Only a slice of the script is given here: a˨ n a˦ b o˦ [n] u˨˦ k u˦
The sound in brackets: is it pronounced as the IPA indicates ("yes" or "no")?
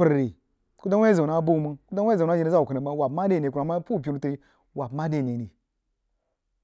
no